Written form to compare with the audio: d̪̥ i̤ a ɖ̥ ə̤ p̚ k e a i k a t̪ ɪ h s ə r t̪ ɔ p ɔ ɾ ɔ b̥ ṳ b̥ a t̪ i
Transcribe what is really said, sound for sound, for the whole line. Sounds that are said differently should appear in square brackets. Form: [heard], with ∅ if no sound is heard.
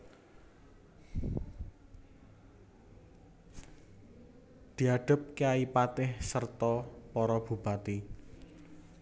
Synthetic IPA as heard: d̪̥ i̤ a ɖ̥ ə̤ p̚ k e a i [p] a t̪ ɪ h s ə r t̪ ɔ p ɔ ɾ ɔ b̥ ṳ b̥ a t̪ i